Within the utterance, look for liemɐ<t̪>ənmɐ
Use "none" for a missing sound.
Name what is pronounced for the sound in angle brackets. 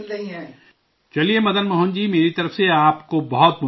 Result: d̪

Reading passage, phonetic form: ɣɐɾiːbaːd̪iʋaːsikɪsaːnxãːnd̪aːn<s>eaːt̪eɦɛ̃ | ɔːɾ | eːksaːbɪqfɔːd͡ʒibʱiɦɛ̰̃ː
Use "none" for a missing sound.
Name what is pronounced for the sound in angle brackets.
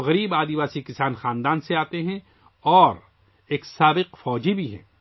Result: s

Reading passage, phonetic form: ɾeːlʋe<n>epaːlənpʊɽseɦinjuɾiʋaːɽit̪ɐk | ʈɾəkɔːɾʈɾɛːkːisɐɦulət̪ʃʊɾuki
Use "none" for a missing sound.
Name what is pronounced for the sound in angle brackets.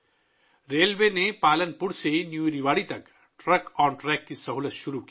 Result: n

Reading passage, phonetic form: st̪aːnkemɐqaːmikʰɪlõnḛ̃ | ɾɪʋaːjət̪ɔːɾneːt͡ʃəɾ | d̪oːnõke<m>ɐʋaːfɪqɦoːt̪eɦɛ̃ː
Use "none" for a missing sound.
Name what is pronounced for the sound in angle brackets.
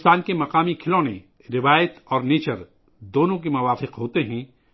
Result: m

